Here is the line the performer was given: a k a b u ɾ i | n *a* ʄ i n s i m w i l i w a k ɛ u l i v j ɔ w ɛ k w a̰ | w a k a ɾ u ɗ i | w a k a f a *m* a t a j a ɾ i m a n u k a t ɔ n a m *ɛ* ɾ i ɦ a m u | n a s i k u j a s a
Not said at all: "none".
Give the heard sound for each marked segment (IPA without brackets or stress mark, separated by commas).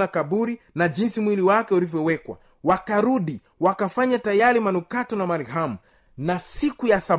a, ɲ, a